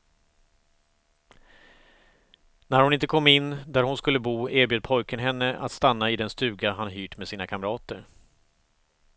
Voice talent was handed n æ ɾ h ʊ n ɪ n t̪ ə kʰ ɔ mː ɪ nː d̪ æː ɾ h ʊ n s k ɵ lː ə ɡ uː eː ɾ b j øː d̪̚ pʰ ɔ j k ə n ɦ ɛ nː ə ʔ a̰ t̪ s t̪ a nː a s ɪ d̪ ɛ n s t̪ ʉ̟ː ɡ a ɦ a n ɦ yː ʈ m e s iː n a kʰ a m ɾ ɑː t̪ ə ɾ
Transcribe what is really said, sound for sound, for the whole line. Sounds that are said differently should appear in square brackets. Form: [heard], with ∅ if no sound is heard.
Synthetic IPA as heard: n æ ɾ h ʊ n ɪ n t̪ ə kʰ ɔ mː ɪ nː d̪ [æ] ɾ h ʊ n s k ɵ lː ə [b] uː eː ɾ b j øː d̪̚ pʰ ɔ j k ə n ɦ ɛ nː ə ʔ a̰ t̪ s t̪ a nː a [∅] ɪ d̪ ɛ n s t̪ ʉ̟ː ɡ a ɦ a n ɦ yː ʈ m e s iː n a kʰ a m ɾ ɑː t̪ ə ɾ